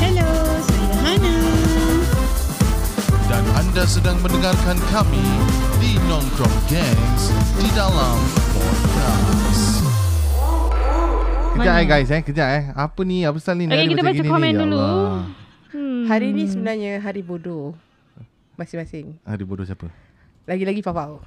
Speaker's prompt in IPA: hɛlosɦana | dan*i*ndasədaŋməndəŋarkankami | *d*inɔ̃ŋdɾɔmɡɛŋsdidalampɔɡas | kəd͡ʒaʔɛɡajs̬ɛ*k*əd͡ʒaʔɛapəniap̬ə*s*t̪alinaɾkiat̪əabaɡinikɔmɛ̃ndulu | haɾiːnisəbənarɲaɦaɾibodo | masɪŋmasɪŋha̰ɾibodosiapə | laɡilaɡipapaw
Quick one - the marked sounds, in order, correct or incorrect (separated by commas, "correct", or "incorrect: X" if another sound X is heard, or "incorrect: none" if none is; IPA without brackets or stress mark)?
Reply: incorrect: a, correct, correct, correct